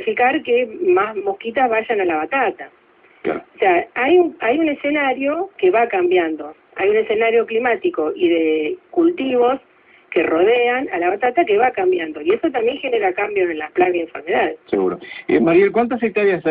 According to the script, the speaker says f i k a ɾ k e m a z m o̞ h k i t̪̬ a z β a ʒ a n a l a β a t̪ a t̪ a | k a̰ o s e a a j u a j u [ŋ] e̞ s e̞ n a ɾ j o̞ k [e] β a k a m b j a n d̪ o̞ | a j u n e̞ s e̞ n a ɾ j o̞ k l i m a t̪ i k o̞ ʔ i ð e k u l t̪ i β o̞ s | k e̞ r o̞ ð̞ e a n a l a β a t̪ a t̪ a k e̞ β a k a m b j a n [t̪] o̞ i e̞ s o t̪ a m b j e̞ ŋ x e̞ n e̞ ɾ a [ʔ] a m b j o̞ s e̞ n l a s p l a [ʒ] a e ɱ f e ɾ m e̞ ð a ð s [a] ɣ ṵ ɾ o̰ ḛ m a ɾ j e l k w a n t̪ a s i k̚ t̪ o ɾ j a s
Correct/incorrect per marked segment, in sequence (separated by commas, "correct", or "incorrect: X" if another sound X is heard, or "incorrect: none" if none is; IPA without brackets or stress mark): incorrect: n, correct, incorrect: d̪, incorrect: k, incorrect: ɣ, incorrect: e